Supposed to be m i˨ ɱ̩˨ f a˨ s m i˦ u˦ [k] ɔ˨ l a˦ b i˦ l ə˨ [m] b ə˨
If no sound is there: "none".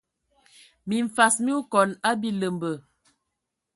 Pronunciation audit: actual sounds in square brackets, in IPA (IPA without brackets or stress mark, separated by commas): k, m